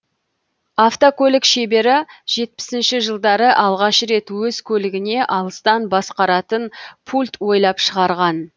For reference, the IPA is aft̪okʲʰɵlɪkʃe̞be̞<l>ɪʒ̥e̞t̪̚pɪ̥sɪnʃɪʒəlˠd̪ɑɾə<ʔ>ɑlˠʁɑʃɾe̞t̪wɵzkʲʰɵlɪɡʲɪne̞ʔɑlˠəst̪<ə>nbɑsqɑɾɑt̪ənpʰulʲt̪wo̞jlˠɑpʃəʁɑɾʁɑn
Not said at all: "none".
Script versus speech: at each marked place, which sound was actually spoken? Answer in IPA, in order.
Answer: ɾ, ʔ, ɑ

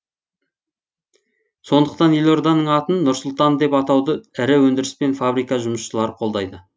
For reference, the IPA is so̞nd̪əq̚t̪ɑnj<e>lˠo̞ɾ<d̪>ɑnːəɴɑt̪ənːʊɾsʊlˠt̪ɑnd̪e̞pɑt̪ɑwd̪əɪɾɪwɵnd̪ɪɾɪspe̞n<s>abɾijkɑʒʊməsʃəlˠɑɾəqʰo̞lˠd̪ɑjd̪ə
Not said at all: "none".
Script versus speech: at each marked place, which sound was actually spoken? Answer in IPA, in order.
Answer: e, d̪, f

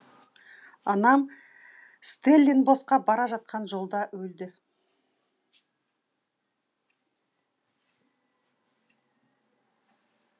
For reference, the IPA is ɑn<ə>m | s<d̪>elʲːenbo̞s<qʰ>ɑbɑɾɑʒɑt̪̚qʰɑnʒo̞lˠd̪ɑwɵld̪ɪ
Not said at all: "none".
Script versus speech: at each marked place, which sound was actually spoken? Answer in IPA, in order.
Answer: ɑ, t̪, q

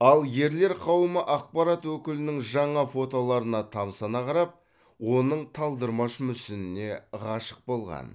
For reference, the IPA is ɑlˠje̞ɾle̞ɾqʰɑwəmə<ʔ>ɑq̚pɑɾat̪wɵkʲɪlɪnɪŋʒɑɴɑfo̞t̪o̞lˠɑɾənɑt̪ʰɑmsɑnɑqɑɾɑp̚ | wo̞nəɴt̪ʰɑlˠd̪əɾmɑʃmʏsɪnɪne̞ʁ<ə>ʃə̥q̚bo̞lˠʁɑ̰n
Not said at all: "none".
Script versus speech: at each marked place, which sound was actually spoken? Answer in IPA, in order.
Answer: ʔ, ɑ

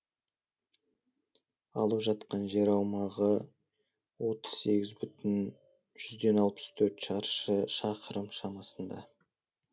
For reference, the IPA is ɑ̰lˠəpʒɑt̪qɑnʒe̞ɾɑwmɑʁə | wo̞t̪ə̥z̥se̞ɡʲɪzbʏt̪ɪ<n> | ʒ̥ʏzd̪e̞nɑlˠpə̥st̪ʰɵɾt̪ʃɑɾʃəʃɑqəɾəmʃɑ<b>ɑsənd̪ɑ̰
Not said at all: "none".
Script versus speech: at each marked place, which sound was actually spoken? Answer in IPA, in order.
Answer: n, m

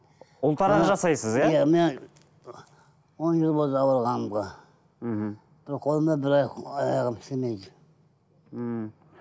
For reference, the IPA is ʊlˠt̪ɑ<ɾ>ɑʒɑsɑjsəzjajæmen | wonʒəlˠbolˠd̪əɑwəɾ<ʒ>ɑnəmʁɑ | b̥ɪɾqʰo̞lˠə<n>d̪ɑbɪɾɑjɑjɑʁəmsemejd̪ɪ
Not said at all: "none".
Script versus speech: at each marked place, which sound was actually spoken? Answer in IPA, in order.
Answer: ɾ, ʁ, m

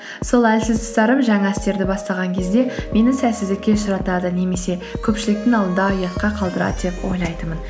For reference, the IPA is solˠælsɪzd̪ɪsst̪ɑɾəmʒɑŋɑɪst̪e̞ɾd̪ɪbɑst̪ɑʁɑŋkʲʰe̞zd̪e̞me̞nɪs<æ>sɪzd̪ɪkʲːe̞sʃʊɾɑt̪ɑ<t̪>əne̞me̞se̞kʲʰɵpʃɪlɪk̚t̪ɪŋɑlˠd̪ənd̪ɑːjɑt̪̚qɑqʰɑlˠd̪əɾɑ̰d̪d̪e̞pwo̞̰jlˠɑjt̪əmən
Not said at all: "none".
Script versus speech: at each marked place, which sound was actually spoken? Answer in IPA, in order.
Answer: æ, d̪

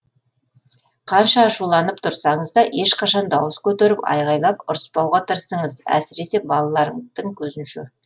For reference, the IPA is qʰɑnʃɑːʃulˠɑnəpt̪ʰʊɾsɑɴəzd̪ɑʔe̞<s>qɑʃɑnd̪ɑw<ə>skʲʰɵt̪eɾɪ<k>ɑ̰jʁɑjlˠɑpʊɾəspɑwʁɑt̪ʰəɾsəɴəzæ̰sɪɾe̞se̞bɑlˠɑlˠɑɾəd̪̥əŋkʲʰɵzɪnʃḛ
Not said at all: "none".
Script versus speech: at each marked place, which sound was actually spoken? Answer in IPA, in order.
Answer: ʃ, ə, p

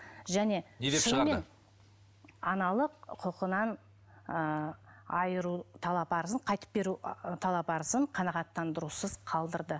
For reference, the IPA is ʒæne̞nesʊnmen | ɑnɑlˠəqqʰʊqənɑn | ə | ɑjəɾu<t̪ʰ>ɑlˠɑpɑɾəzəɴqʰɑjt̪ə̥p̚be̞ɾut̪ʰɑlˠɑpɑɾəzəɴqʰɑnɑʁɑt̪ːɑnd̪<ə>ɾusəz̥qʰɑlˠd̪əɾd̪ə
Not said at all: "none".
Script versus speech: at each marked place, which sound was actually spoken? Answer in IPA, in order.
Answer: t̪ʰ, ə

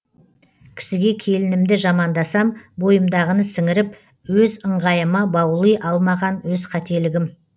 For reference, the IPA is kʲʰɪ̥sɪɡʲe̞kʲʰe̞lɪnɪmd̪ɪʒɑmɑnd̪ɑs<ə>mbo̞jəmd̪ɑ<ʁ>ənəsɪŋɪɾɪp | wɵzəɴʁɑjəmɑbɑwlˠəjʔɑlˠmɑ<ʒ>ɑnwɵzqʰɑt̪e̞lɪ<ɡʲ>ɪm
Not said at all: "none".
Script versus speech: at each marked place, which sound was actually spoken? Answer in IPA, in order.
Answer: ɑ, ʁ, ʁ, ɡʲ

